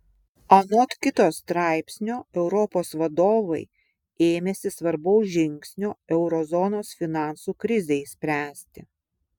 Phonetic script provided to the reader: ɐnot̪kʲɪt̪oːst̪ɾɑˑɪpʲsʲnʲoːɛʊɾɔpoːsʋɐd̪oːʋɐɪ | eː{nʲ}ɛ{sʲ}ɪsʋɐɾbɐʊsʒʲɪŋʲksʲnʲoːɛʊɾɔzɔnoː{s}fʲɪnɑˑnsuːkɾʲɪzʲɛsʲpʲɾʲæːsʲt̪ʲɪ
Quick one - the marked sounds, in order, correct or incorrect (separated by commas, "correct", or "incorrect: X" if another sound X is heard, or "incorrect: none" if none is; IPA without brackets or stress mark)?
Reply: incorrect: mʲ, correct, correct